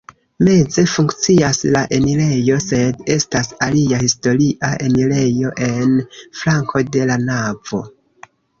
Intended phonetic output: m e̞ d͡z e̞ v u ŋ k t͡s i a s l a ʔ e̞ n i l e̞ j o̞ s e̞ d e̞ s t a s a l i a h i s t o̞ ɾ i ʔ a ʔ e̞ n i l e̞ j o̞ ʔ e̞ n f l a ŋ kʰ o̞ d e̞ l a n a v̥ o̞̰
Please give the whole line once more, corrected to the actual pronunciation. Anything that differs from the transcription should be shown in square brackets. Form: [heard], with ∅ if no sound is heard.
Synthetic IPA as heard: m e̞ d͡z e̞ [f] u ŋ k t͡s i a s l a ʔ e̞ n i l e̞ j o̞ s e̞ d e̞ s t a s a l i a h i s t o̞ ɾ i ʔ a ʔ e̞ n i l e̞ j o̞ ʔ e̞ n f l a ŋ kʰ o̞ d e̞ l a n a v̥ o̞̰